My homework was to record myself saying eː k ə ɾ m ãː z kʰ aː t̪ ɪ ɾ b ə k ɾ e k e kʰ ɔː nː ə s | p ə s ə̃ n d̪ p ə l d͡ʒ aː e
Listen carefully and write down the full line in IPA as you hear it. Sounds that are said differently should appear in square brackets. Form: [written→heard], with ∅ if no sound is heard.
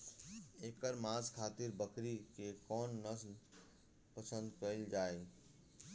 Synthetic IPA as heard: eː k ə ɾ m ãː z kʰ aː t̪ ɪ ɾ b ə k ɾ [e→i] k e [kʰ→k] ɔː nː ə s | p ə s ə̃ n d̪ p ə l d͡ʒ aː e